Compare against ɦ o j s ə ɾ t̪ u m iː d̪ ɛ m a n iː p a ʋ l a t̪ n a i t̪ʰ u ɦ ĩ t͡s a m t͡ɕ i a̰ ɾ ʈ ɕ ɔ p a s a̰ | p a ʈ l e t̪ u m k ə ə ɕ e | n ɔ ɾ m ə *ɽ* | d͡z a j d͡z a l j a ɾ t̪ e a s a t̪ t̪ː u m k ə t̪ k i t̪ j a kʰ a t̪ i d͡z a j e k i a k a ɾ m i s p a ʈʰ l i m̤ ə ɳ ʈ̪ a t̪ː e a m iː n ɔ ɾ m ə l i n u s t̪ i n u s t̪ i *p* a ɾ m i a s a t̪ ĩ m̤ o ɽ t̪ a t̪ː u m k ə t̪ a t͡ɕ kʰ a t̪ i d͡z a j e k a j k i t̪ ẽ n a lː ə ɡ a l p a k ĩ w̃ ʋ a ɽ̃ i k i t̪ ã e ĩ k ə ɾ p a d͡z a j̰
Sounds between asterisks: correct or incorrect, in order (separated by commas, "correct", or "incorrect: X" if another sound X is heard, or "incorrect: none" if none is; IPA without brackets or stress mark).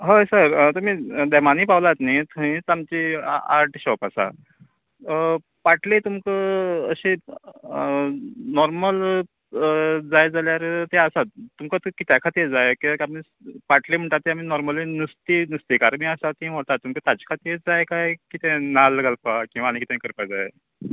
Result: incorrect: l, incorrect: k